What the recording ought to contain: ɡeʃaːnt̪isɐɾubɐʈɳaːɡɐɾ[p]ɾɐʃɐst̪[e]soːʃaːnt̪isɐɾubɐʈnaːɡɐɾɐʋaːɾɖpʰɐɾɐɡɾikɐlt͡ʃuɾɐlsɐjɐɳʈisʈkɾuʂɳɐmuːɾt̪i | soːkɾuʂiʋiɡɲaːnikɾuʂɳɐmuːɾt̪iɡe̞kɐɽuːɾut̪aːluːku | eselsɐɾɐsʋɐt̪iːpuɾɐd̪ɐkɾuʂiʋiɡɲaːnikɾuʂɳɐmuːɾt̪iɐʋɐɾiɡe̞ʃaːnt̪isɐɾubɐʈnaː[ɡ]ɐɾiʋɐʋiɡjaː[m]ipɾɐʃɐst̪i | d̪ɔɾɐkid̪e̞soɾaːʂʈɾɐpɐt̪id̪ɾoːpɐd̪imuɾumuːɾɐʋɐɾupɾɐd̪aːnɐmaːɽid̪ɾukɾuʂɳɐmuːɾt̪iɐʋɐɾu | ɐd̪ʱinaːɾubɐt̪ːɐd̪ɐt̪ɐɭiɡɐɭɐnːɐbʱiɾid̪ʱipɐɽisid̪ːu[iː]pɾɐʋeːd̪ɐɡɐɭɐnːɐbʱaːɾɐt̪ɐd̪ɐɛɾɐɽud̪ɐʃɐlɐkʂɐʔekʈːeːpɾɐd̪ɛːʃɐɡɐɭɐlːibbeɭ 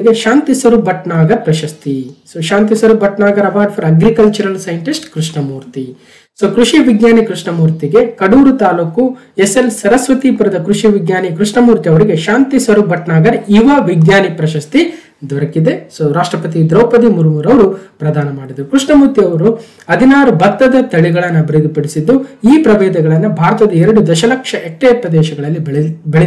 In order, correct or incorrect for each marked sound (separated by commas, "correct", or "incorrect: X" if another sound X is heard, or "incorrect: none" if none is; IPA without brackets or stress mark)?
correct, incorrect: i, correct, incorrect: n, correct